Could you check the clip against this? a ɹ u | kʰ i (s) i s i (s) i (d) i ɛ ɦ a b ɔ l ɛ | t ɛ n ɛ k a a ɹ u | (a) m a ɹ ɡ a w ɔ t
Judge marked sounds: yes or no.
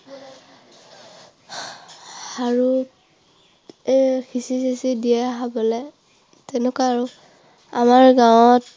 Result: yes, yes, yes, yes

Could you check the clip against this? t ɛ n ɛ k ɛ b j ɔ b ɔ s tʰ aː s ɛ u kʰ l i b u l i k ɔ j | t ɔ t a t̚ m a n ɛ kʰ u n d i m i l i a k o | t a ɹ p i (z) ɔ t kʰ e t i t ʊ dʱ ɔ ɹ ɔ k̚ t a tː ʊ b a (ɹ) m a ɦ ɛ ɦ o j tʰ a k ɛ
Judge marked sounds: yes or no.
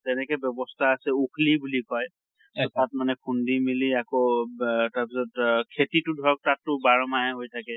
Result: no, yes

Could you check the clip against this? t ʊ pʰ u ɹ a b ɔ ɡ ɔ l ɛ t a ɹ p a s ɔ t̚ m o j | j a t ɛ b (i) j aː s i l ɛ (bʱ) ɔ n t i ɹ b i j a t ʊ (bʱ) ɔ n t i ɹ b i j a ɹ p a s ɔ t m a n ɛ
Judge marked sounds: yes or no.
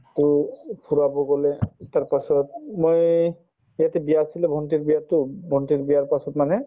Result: yes, yes, yes

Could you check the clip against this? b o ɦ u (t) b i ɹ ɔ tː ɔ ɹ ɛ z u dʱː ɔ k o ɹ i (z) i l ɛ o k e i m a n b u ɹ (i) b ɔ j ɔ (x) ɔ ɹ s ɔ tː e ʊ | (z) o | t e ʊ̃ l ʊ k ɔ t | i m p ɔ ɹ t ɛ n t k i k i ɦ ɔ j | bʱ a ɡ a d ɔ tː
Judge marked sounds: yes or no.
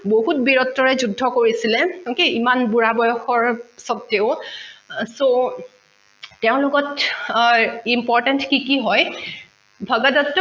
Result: yes, no, no, yes, no

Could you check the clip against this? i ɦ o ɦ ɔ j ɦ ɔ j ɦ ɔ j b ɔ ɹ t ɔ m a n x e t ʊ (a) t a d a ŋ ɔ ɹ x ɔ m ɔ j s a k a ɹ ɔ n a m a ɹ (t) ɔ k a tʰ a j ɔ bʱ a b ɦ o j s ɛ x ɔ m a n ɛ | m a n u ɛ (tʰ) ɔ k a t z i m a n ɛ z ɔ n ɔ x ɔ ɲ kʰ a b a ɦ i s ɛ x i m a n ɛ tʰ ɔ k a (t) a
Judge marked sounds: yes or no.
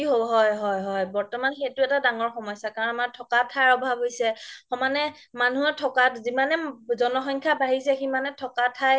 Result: no, no, yes, no

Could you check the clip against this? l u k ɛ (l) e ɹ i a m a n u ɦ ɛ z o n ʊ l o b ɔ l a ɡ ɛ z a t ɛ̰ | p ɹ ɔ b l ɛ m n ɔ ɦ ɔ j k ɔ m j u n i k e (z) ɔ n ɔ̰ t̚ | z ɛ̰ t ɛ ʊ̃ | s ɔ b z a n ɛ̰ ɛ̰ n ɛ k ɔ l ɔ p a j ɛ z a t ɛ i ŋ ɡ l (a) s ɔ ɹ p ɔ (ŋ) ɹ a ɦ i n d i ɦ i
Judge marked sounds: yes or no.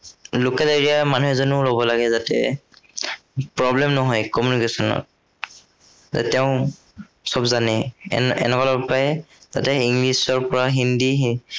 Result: yes, no, no, no

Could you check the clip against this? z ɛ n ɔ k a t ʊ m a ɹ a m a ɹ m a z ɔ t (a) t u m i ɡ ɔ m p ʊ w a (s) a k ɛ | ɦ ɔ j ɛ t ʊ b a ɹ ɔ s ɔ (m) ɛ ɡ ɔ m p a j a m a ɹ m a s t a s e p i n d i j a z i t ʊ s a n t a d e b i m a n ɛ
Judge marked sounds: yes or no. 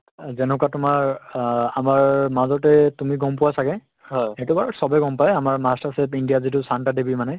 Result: no, yes, no

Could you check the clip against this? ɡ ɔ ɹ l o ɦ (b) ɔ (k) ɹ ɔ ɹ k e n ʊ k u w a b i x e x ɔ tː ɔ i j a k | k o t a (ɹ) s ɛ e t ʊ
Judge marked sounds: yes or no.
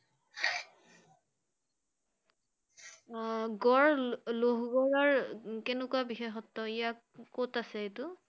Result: no, no, no

